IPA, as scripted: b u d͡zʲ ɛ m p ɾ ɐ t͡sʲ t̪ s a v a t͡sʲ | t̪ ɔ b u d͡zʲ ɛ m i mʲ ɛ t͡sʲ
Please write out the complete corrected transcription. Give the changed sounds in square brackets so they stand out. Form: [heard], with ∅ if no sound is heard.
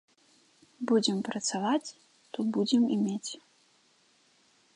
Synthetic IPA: b u d͡zʲ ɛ m p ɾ ɐ [∅] t̪ s a v a t͡sʲ | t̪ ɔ b u d͡zʲ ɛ m i mʲ [e] t͡sʲ